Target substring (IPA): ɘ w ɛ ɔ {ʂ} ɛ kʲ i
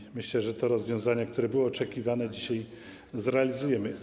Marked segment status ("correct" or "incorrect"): incorrect